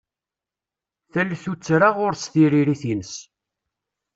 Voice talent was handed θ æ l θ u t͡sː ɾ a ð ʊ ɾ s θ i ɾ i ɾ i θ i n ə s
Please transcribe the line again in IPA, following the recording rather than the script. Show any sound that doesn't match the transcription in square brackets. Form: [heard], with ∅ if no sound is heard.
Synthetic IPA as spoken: θ æ l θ u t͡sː ɾ a [ʁ] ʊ ɾ s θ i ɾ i ɾ i θ i n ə s